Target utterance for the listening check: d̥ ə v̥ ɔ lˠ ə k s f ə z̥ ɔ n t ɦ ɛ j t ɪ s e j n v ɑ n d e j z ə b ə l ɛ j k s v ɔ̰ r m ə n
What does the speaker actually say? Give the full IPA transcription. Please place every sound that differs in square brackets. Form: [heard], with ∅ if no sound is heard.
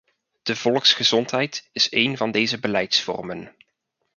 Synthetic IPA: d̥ ə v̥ ɔ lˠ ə k s [χ] ə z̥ ɔ n t ɦ ɛ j t ɪ s e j n v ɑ n d e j z ə b ə l ɛ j [t] s [f] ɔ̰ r m ə n